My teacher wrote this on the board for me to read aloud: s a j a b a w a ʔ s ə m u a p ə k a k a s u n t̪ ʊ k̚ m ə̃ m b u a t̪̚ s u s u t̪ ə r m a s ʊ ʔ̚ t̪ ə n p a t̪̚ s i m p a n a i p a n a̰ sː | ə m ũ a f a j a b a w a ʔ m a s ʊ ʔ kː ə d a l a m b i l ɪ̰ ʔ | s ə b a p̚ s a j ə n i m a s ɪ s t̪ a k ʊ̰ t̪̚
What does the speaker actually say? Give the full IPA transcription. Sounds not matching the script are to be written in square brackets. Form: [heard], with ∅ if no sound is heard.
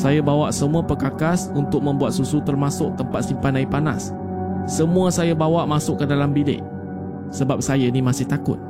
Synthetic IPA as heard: s a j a b a w a ʔ s ə m u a p ə k a k a s u n t̪ ʊ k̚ m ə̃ m b u a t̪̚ s u s u t̪ ə r m a s ʊ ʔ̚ t̪ ə [m] p a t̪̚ s i m p a n a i p a n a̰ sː | ə m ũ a [s] a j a b a w a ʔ m a s ʊ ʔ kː ə d a l a m b i l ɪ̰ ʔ | s ə b a p̚ s a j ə n i m a s ɪ [h] t̪ a k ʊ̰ t̪̚